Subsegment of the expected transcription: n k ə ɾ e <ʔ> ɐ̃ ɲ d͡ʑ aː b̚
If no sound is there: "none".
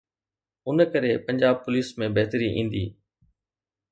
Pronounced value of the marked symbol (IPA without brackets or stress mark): p